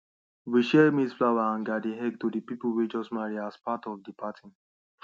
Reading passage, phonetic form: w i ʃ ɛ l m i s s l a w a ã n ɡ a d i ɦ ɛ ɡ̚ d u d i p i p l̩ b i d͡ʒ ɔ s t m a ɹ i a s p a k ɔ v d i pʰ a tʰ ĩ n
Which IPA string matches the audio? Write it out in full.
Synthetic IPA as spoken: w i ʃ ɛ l m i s f l a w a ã n ɡ a d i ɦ ɛ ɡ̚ t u d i p i p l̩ w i d͡ʒ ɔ s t m a ɹ i a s p a t ɔ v d i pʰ a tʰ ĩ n